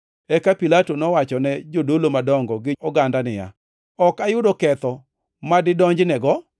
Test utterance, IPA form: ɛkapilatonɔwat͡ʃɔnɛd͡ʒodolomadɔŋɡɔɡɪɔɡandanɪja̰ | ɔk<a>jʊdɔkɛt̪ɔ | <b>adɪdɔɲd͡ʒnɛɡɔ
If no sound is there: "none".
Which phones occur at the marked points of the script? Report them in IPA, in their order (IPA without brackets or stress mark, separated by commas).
a, m